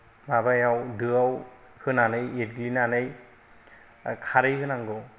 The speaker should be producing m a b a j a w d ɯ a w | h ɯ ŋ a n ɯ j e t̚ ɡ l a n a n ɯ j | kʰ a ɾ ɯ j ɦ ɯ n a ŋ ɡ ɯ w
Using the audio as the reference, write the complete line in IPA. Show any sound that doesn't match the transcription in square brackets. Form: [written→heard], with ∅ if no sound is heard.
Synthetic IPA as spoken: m a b a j a w d ɯ a w | h ɯ [ŋ→n] a n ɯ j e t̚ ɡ l [a→i] n a n ɯ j | kʰ a ɾ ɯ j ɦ ɯ n a ŋ ɡ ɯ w